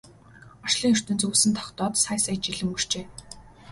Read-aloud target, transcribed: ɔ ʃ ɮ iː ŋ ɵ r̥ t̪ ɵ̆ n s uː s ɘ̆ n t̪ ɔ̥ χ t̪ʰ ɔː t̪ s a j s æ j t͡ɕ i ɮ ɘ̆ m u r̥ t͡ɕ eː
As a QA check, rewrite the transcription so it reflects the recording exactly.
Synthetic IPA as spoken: ɔ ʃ ɮ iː ŋ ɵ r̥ t̪ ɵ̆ n t͡s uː s ɘ̆ n t̪ʰ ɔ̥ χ t̪ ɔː t̪ s a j s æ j t͡ɕ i ɮ ɘ̆ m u r̥ t͡ɕ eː